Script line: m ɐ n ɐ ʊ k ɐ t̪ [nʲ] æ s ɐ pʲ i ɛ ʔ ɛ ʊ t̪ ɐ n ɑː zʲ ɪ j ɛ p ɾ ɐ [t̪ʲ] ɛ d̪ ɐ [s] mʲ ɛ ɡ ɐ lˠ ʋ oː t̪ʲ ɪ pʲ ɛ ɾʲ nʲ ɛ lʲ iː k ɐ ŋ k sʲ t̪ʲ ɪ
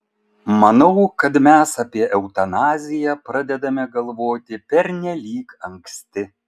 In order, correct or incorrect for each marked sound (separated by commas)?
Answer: incorrect, incorrect, incorrect